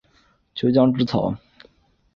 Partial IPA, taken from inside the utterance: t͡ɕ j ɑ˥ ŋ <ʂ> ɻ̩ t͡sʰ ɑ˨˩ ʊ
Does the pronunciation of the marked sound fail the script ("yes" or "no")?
yes